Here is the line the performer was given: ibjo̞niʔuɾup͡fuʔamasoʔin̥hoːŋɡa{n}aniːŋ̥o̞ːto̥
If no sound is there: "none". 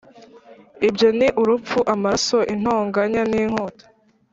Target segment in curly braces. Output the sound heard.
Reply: ɲ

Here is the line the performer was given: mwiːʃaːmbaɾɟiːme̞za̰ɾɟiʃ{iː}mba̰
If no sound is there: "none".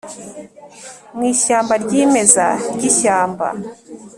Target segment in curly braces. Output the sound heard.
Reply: aː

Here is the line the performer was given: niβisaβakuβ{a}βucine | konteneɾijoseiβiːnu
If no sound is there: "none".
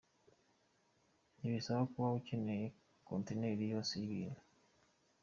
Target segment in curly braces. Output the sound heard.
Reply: a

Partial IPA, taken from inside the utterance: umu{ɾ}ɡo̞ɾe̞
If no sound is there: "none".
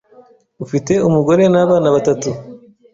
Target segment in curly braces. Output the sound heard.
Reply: none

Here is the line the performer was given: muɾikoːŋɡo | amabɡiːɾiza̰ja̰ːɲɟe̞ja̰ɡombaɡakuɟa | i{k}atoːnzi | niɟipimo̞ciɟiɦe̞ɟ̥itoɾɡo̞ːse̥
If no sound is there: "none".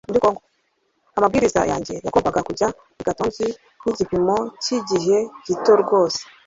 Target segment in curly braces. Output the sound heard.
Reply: ɡ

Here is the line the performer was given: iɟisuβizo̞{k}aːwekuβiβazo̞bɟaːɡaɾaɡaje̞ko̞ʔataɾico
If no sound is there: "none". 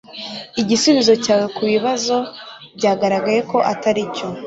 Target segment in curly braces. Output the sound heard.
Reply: c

